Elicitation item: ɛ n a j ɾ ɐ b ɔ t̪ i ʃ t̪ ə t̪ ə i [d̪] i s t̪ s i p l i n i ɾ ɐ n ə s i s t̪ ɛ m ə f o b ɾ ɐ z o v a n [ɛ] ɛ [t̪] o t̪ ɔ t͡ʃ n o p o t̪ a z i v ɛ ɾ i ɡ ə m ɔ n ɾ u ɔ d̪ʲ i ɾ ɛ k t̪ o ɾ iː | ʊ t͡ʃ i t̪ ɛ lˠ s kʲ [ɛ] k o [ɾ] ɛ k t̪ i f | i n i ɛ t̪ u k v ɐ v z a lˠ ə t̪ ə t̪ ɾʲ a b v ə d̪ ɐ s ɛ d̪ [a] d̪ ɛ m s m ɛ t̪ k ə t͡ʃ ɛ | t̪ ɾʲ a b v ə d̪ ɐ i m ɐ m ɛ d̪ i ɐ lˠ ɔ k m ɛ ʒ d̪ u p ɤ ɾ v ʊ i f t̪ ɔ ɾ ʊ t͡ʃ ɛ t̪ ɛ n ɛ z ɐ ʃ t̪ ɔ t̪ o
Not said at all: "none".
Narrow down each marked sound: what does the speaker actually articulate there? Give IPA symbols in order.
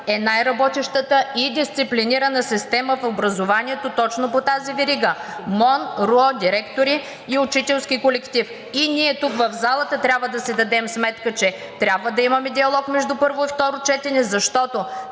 d̪, i, t̪, i, l, ɐ

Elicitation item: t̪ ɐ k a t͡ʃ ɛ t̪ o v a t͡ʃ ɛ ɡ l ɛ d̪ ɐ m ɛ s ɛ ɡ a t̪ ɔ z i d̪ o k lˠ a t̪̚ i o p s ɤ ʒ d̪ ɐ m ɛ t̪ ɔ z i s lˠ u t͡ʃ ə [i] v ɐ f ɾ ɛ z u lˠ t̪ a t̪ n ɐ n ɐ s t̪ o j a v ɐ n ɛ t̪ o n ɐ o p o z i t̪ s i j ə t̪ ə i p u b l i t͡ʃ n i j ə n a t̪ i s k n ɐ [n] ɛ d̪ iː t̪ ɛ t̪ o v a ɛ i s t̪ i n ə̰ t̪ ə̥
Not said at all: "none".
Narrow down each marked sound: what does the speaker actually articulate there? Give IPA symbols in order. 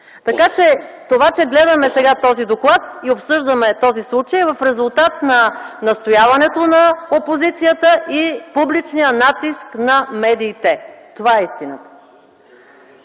j, m

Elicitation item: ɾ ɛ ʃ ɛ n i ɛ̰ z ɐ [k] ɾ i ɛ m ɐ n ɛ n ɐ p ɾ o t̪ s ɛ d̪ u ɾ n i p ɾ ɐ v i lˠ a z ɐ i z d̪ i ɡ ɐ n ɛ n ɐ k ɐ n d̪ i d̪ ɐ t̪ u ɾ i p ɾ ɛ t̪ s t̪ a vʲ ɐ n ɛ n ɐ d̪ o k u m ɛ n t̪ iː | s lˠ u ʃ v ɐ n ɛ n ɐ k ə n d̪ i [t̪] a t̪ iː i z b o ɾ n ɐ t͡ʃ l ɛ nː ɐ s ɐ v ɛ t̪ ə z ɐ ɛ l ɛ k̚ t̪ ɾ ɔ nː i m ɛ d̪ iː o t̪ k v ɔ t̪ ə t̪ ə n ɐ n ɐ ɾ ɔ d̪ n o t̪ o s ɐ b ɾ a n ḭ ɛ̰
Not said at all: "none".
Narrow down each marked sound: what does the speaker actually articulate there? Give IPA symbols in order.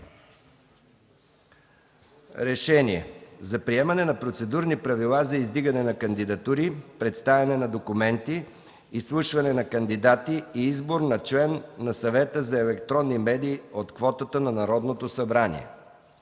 p, d̪

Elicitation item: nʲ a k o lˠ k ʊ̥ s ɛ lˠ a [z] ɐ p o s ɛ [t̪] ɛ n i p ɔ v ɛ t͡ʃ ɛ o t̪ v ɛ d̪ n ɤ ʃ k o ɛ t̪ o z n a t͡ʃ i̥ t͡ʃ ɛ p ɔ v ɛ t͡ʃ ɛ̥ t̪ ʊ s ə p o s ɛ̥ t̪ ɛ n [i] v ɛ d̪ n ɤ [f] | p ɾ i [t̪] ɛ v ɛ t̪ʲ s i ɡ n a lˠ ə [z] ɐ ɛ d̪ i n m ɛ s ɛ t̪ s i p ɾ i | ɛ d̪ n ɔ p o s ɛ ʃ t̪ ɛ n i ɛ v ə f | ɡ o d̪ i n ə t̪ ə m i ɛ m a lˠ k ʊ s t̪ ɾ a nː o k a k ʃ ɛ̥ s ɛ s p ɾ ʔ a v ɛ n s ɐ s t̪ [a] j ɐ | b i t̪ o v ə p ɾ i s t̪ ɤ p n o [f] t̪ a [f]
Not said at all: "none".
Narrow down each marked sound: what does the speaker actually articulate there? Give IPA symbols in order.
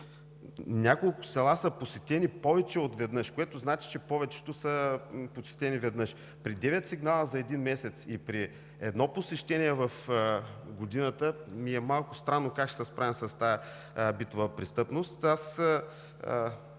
s, t̪, i, ʃ, d̪, z, a, s, s

